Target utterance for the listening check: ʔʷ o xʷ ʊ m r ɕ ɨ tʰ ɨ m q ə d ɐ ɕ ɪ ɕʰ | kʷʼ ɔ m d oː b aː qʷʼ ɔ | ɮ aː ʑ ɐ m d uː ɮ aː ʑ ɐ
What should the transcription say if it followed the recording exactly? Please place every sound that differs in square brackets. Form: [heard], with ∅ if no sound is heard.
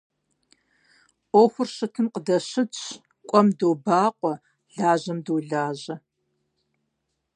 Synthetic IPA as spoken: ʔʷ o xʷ ʊ [∅] r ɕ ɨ tʰ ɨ m q ə d ɐ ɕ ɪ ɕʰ | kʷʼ ɔ m d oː b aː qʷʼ ɔ | ɮ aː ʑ ɐ m d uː ɮ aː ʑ ɐ